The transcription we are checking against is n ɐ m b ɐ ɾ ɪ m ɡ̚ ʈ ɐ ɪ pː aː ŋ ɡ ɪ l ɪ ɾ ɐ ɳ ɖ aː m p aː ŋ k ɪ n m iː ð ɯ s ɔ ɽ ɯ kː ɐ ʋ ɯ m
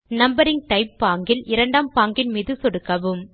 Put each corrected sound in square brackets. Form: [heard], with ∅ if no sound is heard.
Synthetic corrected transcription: n ɐ m b ɐ ɾ ɪ [ŋ] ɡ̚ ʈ ɐ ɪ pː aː ŋ ɡ ɪ l ɪ ɾ ɐ ɳ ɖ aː m p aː ŋ [ɡ] ɪ n m iː ð ɯ s ɔ ɽ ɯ kː ɐ ʋ ɯ m

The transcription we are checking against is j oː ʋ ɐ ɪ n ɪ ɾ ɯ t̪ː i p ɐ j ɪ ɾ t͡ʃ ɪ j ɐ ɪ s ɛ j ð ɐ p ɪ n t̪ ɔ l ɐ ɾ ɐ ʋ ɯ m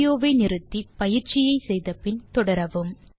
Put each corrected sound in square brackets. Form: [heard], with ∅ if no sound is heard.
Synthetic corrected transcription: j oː ʋ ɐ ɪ n ɪ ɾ ɯ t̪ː i p ɐ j ɪ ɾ t͡ʃ ɪ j ɐ ɪ s ɛ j ð ɐ p ɪ n t̪ ɔ [ɽ] ɐ ɾ ɐ ʋ ɯ m

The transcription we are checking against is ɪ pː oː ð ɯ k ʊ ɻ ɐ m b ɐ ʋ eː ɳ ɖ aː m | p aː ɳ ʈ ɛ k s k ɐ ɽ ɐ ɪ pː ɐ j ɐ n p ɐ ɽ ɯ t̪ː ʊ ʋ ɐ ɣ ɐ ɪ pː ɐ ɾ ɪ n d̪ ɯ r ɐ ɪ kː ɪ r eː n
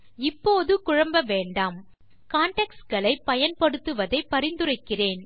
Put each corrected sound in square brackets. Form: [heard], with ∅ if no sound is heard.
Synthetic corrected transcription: ɪ pː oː ð ɯ k ʊ ɻ ɐ m b ɐ ʋ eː ɳ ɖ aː m | [k] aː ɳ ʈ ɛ k s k ɐ [ɭ] ɐ ɪ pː ɐ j ɐ n p ɐ ɽ ɯ t̪ː [ɯ] ʋ ɐ [ð] ɐ ɪ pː ɐ ɾ ɪ n d̪ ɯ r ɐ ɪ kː ɪ r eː n

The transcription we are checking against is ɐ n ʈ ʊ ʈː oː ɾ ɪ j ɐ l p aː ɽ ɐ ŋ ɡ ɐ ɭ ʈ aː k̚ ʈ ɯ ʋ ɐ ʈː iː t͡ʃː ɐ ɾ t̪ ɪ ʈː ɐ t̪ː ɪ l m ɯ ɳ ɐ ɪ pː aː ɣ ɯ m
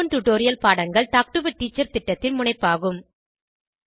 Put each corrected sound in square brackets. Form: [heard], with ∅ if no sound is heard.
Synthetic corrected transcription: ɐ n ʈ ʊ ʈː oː ɾ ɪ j ɐ l p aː ɽ ɐ ŋ ɡ ɐ ɭ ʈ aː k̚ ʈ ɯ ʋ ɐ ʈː iː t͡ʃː ɐ ɾ t̪ ɪ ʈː ɐ t̪ː ɪ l m [ʊ] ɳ ɐ ɪ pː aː ɣ ɯ m

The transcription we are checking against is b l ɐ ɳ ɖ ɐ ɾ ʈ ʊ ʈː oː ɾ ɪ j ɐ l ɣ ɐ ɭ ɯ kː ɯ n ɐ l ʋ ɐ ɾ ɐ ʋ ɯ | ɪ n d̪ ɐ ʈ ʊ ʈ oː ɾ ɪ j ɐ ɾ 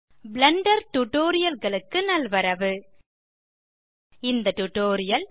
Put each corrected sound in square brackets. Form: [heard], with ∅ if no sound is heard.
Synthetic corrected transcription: b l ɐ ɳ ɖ ɐ ɾ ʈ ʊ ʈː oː ɾ ɪ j ɐ l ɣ ɐ ɭ ɯ kː ɯ n ɐ l ʋ ɐ ɾ ɐ ʋ ɯ | ɪ n d̪ ɐ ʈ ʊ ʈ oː ɾ ɪ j ɐ [l]

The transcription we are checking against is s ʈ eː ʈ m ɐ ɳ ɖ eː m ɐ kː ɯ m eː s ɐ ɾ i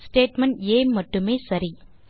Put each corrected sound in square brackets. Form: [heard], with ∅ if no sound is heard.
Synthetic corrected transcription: s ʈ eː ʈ m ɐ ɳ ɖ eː m ɐ [ʈː] ɯ m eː s ɐ ɾ i

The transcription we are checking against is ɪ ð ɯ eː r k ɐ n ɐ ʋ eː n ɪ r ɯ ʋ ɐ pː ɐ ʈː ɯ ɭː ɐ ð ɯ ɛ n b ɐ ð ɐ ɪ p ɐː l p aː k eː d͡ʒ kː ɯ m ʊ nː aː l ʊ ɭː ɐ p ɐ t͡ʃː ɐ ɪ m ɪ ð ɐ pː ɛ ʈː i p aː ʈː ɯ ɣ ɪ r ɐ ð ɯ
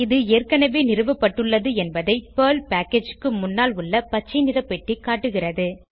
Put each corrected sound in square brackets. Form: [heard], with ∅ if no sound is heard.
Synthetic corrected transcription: ɪ ð ɯ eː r k ɐ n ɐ ʋ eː n ɪ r ɯ ʋ ɐ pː ɐ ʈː ɯ ɭː ɐ ð ɯ ɛ n b ɐ ð ɐ ɪ p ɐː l p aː k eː d͡ʒ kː ɯ m ʊ nː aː l ʊ ɭː ɐ p ɐ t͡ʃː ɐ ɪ [n] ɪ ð ɐ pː ɛ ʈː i [k] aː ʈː ɯ ɣ ɪ r ɐ ð ɯ

